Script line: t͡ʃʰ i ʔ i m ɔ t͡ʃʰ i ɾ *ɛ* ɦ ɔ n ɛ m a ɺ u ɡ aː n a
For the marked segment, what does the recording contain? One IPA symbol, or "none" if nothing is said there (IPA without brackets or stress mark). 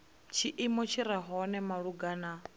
a